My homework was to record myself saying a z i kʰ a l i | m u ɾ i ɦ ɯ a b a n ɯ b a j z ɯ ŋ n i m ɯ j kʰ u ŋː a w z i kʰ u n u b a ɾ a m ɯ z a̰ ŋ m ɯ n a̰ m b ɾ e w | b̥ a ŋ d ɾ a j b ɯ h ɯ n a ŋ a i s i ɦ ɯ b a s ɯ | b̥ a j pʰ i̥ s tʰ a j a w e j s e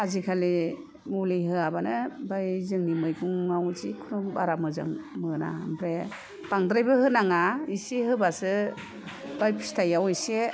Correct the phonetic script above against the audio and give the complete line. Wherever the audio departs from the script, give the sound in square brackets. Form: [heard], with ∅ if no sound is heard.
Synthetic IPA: a z i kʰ a l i | m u [l] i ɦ ɯ a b a n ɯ b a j z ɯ ŋ n i m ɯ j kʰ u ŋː a w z i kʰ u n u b a ɾ a m ɯ z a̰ ŋ m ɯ n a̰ m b ɾ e [∅] | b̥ a ŋ d ɾ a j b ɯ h ɯ n a ŋ a i s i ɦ ɯ b a s ɯ | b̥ a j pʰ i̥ s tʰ a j a w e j s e